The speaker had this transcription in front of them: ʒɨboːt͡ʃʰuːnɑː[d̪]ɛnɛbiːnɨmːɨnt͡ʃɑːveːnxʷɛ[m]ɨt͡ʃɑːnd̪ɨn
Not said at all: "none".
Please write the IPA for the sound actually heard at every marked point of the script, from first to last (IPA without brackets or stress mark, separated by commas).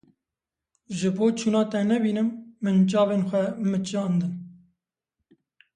t̪, m